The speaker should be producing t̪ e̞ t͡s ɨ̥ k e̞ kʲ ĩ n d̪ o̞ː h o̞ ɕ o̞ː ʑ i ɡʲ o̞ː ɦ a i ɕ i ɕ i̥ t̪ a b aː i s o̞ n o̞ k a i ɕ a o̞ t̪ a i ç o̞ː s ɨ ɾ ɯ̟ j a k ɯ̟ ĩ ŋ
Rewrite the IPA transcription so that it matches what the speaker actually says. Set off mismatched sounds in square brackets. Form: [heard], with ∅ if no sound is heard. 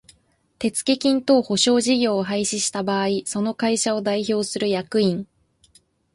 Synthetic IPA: t̪ e̞ t͡s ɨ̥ k e̞ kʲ ĩ n [t̪] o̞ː h o̞ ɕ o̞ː ʑ i ɡʲ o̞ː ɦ a i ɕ i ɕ i̥ t̪ a b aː i s o̞ n o̞ k a i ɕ a o̞ [d̪] a i ç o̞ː s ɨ ɾ ɯ̟ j a k ɯ̟ ĩ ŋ